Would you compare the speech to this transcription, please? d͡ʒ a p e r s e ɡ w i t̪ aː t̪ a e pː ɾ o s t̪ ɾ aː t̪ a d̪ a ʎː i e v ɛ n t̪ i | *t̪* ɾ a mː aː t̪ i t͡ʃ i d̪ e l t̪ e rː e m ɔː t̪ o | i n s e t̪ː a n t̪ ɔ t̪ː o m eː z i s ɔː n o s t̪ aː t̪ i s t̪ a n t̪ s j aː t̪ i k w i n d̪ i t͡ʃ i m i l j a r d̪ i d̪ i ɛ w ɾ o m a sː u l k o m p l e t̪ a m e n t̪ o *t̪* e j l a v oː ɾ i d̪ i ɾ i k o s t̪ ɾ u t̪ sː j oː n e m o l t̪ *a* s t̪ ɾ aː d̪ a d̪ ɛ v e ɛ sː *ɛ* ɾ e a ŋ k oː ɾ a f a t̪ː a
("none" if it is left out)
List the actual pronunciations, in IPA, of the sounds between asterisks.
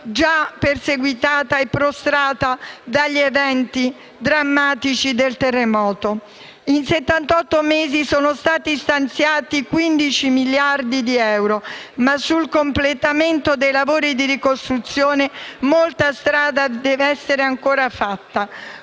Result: d̪, d̪, a, e

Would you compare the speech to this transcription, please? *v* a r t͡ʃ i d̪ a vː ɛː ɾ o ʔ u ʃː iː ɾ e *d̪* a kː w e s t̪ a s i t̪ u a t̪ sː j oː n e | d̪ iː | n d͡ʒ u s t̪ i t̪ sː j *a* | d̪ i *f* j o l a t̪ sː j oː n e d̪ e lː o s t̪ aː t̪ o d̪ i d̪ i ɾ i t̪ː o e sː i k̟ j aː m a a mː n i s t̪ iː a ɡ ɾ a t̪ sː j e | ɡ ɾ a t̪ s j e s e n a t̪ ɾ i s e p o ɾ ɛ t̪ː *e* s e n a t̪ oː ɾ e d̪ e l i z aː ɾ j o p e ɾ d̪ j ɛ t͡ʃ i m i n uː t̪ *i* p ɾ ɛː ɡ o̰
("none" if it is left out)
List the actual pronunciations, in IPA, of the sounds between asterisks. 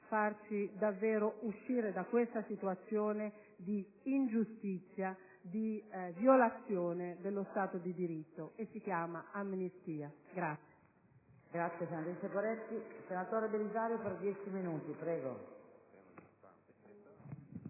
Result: f, d̪, a, v, i, i

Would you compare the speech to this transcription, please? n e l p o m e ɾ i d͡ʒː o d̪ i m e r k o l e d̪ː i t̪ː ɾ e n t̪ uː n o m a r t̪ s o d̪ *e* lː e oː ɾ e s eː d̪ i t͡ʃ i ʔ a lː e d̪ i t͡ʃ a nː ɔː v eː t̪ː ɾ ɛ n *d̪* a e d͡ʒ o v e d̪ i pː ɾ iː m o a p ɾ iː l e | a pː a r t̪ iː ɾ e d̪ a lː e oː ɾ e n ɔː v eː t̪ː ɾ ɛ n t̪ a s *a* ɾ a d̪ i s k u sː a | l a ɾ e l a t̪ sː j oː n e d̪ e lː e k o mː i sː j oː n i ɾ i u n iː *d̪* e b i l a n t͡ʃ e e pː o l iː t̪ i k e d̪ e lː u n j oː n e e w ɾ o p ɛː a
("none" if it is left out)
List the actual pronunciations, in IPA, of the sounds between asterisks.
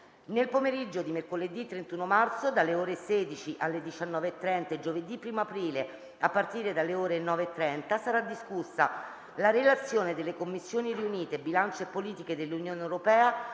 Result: a, t̪, a, t̪

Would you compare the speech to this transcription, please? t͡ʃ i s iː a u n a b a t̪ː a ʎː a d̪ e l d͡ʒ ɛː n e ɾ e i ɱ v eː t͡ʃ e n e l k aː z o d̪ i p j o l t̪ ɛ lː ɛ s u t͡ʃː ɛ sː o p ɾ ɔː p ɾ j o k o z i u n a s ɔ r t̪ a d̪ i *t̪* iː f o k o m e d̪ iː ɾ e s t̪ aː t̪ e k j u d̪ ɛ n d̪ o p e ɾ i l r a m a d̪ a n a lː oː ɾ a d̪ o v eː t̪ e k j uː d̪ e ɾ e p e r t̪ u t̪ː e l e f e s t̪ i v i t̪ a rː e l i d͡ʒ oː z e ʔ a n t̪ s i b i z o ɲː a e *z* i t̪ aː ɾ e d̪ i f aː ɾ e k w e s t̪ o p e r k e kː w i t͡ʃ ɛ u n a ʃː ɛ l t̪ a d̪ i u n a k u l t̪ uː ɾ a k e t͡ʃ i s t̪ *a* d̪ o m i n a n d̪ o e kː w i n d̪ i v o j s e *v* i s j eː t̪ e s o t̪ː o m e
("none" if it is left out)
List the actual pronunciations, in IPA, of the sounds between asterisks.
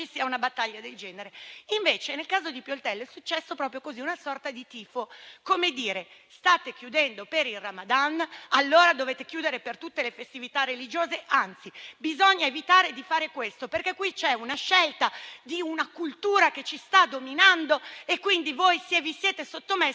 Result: t̪, v, a, v

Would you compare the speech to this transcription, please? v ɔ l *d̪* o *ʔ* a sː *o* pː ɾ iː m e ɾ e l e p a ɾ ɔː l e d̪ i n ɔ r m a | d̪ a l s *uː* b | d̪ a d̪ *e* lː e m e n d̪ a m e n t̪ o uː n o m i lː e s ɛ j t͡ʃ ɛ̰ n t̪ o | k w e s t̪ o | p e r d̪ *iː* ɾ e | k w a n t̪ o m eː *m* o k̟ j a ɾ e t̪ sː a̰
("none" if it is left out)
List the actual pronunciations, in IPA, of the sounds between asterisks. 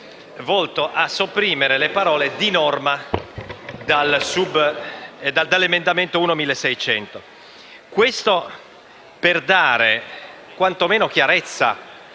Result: t̪, ʔ, o, u, a, aː, n

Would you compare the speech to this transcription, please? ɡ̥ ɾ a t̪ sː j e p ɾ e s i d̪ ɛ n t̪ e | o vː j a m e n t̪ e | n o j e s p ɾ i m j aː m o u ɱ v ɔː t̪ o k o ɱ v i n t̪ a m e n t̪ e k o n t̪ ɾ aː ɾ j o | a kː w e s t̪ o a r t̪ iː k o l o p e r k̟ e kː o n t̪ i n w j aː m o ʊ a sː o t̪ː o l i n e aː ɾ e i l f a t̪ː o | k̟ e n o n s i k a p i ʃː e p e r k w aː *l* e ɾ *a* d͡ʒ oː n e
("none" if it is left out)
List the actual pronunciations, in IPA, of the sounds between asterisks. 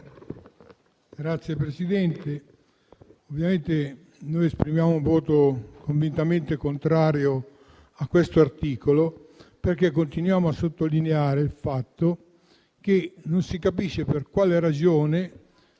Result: l, a

